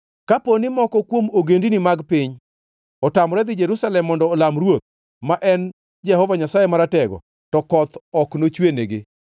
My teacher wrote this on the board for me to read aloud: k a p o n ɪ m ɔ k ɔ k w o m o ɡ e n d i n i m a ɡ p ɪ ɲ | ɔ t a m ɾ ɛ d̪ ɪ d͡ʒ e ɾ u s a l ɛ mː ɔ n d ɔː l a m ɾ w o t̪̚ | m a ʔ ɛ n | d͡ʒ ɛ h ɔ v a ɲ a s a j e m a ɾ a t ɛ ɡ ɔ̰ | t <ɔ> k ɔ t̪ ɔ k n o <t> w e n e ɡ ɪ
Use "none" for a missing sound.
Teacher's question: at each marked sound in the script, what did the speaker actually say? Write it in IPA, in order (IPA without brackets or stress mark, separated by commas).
ɔ, t͡ʃ